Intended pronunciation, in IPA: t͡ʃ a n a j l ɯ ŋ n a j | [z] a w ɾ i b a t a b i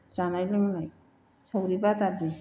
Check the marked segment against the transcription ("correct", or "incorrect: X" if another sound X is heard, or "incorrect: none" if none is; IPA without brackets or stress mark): incorrect: s